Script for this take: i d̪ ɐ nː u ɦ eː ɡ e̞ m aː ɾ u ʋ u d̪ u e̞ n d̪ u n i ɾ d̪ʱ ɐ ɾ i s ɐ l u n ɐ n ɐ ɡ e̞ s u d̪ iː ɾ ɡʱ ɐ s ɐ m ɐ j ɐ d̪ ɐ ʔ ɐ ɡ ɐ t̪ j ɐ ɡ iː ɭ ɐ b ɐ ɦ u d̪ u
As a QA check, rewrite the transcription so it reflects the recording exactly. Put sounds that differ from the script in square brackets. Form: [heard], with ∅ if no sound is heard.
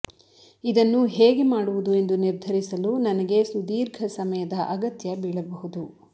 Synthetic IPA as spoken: i d̪ ɐ nː u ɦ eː ɡ e̞ m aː [ɽ] u ʋ u d̪ u e̞ n d̪ u n i ɾ d̪ʱ ɐ ɾ i s ɐ l u n ɐ n ɐ ɡ e̞ s u d̪ iː ɾ ɡʱ ɐ s ɐ m ɐ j ɐ d̪ ɐ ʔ ɐ ɡ ɐ t̪ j ɐ [b] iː ɭ ɐ b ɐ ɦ u d̪ u